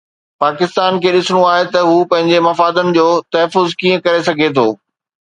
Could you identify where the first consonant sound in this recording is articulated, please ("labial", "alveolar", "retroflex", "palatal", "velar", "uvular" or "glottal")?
labial